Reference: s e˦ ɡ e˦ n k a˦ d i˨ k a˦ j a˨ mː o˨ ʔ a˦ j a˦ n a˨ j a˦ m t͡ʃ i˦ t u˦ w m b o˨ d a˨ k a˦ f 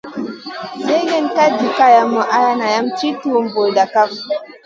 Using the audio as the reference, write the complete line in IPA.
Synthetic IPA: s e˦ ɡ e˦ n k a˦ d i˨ k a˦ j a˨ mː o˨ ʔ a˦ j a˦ n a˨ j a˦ m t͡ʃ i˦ t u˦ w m b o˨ d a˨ k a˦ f